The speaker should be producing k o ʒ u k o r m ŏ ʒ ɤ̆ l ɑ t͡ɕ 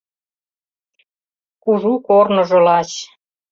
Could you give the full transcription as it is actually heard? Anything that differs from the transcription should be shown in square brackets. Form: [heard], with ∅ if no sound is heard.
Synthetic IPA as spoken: k [u] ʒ u k o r [n] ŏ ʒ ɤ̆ l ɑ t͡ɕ